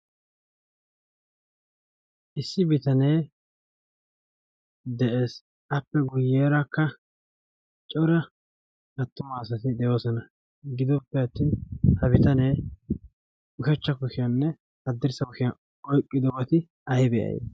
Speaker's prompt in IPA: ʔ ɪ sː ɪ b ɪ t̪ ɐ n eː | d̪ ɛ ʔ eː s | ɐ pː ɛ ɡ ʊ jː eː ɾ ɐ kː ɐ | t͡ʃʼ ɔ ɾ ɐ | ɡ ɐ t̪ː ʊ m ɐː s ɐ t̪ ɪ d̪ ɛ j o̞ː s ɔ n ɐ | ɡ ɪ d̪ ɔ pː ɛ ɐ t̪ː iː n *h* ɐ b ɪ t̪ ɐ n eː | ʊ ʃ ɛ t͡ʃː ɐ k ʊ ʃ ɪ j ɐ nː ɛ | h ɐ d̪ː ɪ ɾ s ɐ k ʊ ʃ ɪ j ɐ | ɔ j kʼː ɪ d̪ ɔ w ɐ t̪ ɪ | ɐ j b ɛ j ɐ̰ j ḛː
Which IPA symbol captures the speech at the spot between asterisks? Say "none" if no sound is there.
h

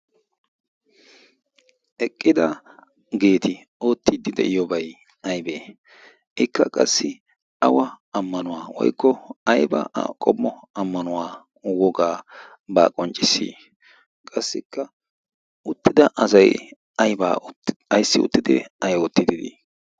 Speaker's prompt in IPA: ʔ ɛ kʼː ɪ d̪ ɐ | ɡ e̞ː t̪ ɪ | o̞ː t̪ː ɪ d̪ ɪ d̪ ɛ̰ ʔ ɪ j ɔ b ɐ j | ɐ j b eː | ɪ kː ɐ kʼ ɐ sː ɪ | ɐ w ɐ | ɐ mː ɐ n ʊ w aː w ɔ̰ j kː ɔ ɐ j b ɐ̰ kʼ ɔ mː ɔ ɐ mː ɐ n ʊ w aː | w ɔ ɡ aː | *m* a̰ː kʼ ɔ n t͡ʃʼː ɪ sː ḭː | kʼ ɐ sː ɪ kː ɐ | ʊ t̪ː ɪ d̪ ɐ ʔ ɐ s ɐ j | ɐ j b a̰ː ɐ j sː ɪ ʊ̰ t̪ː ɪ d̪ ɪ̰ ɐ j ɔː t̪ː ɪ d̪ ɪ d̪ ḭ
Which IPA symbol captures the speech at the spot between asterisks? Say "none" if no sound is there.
b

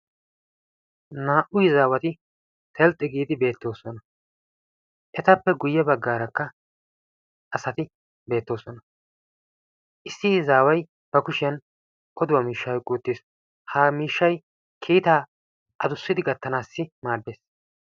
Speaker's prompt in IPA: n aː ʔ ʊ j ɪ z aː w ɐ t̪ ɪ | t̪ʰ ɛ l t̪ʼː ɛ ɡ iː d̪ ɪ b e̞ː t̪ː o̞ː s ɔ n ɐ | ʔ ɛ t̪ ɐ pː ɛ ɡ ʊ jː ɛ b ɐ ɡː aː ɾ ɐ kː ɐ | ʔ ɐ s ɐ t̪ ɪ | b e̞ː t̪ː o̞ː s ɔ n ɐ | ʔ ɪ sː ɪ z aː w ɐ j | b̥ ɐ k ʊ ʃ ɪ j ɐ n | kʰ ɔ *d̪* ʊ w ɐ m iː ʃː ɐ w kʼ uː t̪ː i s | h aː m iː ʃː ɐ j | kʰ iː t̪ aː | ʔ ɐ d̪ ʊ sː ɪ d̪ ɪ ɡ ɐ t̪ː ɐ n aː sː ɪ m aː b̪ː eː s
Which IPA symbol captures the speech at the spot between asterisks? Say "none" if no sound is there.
d̪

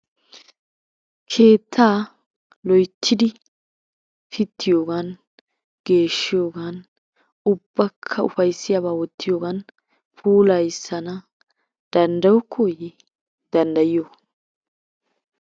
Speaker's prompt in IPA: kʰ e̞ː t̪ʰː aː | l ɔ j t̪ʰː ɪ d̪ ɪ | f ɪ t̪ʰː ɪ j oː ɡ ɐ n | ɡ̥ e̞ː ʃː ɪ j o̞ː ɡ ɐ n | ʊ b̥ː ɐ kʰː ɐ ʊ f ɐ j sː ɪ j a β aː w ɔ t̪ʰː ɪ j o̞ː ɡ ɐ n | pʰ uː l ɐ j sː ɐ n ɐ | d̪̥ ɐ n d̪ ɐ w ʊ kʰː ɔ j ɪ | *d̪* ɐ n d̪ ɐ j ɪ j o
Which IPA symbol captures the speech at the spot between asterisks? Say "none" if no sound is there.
d̪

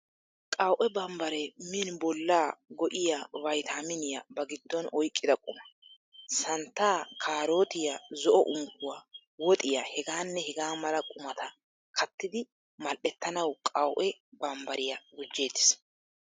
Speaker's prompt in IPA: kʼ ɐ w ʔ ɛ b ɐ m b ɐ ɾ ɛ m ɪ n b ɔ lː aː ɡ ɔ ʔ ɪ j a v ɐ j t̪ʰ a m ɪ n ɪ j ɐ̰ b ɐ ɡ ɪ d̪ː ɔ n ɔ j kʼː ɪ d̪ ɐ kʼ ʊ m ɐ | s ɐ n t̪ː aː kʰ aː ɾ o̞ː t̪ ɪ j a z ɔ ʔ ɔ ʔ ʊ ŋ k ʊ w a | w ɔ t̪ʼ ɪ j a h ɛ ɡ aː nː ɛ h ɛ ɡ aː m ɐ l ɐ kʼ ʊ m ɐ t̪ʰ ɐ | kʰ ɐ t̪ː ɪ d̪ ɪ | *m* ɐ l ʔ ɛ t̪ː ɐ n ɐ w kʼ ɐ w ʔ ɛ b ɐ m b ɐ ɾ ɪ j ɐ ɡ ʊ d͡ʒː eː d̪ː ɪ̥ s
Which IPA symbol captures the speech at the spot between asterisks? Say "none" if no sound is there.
m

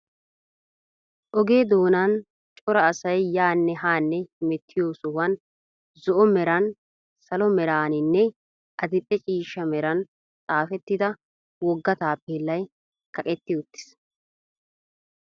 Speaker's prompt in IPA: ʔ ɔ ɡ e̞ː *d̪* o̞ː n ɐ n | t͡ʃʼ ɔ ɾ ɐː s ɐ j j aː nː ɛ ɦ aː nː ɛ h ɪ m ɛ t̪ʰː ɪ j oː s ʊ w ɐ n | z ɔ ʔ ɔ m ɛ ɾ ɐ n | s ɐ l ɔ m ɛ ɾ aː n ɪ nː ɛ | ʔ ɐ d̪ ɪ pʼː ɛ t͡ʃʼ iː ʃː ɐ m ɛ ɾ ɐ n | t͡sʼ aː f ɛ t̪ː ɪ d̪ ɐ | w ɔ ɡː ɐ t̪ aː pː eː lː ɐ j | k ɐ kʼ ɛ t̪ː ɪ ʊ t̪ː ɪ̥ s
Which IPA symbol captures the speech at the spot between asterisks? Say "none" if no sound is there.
d̪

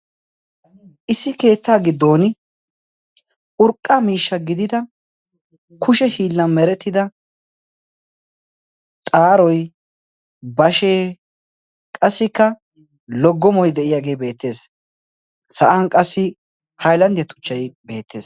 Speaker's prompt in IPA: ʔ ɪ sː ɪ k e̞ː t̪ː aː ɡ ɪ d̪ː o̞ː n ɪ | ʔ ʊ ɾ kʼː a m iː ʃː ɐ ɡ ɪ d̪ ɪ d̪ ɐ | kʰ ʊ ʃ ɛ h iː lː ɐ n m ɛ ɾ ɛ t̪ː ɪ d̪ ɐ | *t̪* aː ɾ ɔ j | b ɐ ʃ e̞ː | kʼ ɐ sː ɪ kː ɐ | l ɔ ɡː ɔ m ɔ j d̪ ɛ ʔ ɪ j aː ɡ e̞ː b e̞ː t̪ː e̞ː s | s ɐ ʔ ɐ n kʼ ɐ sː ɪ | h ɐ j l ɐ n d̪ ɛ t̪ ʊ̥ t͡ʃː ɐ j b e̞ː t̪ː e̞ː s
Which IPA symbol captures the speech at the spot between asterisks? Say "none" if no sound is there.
t̪ʼ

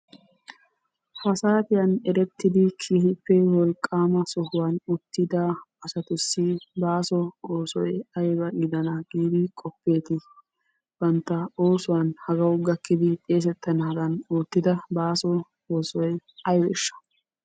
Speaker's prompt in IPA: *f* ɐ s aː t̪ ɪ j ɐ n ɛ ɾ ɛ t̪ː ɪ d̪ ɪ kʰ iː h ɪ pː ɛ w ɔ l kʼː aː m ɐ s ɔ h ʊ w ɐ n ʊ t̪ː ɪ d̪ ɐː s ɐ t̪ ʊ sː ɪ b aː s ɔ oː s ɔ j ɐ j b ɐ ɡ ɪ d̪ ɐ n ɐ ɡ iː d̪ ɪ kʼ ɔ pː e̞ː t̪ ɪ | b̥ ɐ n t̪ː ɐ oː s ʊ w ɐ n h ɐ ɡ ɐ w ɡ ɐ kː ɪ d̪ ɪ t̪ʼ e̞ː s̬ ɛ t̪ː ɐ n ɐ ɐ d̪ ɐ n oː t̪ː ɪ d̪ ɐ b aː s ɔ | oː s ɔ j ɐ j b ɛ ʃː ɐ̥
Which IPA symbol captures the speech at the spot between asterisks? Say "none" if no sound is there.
f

